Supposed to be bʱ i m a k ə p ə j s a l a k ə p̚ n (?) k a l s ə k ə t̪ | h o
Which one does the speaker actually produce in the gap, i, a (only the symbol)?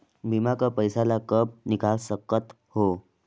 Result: i